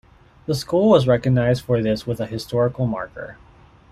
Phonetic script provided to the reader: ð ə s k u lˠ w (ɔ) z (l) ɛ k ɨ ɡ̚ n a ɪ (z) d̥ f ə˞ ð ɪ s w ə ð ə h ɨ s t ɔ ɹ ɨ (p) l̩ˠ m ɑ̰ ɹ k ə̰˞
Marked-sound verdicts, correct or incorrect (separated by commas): incorrect, incorrect, correct, incorrect